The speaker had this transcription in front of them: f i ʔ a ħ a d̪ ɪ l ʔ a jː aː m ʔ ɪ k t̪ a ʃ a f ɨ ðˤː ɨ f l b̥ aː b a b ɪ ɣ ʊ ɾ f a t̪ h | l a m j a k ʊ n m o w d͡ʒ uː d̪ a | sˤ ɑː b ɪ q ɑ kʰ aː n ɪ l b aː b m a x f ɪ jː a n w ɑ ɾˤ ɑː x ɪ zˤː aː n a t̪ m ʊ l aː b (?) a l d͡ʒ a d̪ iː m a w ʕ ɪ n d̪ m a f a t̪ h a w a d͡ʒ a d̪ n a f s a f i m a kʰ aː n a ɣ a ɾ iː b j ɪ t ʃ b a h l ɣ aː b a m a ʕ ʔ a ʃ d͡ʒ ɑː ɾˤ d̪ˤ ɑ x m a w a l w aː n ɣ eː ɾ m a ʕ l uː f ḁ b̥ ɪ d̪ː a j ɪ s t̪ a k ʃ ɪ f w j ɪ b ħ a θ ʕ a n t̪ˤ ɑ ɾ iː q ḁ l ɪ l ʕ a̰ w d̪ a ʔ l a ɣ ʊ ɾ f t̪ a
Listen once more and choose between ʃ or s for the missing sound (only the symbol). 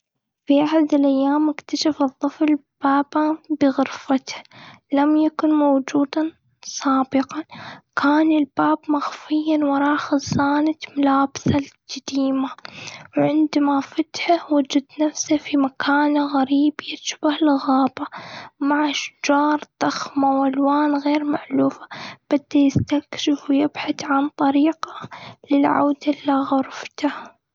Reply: s